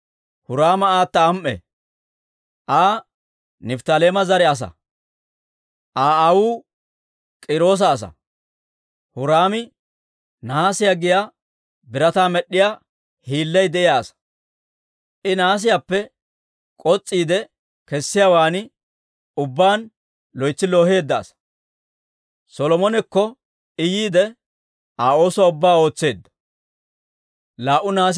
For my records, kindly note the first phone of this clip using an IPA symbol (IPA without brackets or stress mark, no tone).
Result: h